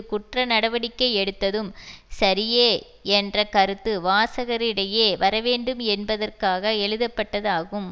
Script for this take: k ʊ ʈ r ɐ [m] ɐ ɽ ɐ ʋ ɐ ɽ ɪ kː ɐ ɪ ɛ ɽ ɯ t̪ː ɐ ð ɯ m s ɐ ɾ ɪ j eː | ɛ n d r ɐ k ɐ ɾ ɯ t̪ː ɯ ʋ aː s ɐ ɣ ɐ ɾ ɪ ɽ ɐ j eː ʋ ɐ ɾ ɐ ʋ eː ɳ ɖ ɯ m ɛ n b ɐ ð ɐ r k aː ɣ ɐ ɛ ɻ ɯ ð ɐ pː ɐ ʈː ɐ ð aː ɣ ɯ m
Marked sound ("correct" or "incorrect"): incorrect